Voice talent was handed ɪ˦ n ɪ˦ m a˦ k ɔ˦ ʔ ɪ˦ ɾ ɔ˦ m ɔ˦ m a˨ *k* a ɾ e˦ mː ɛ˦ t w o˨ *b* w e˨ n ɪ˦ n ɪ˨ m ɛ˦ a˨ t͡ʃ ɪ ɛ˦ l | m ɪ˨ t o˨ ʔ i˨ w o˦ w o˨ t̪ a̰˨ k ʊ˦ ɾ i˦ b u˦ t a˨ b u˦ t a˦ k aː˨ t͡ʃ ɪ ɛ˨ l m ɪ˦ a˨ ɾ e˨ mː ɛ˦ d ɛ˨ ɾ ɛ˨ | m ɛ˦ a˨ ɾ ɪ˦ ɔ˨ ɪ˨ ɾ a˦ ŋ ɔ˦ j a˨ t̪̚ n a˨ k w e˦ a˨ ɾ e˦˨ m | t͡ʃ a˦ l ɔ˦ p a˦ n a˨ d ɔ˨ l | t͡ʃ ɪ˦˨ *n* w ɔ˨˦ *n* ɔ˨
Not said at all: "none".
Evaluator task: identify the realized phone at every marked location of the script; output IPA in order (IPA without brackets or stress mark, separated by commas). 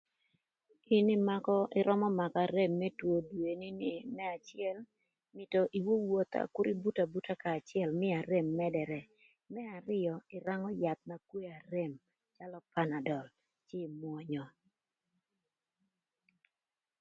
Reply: k, d, m, ɲ